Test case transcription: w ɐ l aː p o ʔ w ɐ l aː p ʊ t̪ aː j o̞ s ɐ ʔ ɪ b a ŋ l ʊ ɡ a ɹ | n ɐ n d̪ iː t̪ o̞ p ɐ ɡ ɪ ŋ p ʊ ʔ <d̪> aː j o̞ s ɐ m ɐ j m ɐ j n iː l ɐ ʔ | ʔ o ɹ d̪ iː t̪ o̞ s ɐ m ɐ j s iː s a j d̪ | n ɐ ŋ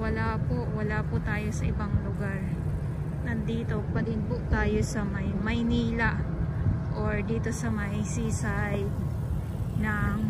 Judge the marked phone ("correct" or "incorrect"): incorrect